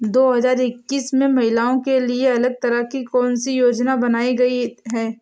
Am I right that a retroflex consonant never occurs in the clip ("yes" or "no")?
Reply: yes